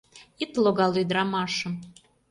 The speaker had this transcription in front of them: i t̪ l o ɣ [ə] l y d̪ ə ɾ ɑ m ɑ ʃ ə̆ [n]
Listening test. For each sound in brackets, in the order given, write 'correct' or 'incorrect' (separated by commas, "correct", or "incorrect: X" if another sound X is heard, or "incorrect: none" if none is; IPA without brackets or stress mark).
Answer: incorrect: ɑ, incorrect: m